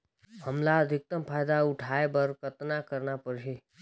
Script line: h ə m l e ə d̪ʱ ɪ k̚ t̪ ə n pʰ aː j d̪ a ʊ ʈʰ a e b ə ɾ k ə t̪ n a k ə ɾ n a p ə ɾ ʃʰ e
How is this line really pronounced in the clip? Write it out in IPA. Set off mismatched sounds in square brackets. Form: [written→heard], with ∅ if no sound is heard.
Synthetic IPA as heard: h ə m l [e→a] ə d̪ʱ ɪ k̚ t̪ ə [n→m] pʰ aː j d̪ a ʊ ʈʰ a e b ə ɾ k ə t̪ n a k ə ɾ n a p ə ɾ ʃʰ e